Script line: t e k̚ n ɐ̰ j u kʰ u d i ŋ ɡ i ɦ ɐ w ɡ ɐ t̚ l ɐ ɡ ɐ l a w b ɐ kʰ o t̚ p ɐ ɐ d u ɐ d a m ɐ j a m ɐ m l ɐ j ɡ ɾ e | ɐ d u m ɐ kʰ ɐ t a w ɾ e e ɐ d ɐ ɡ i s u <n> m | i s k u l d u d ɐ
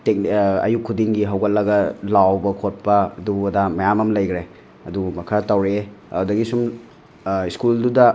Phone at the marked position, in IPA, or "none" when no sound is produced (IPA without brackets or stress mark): none